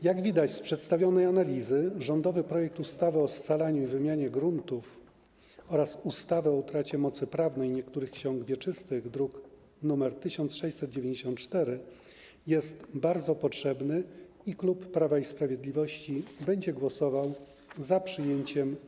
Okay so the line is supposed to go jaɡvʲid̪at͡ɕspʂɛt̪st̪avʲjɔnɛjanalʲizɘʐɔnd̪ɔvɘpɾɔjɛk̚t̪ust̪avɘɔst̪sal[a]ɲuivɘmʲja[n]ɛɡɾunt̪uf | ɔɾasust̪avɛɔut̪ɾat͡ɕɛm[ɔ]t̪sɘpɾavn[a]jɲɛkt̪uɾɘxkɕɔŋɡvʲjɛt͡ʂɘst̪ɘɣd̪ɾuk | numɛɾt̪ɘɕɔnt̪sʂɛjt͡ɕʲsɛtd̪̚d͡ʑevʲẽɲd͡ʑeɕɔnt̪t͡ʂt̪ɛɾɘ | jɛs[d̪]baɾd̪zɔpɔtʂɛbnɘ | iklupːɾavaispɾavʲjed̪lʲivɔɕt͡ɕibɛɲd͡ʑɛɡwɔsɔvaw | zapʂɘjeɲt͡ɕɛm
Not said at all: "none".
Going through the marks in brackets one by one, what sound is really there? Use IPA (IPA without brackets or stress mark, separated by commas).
a, ɲ, ɔ, ɛ, t̪